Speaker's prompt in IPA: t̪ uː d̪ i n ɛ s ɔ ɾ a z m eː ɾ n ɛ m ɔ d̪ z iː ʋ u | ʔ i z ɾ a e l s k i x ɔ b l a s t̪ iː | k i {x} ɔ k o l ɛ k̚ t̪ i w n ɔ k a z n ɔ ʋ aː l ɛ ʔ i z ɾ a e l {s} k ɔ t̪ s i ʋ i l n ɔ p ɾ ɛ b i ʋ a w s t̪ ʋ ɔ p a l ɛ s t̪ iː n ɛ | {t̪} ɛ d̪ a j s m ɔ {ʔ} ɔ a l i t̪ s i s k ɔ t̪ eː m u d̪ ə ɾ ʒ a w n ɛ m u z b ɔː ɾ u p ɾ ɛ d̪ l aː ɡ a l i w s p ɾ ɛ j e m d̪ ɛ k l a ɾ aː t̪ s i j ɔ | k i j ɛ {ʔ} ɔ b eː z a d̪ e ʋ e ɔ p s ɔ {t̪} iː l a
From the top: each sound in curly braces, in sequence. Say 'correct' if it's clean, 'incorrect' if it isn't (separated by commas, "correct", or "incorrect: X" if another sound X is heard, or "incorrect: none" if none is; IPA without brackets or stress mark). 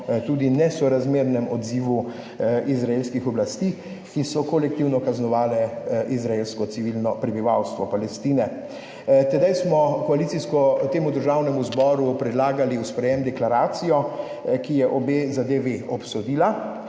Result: incorrect: s, correct, correct, incorrect: k, correct, incorrect: d̪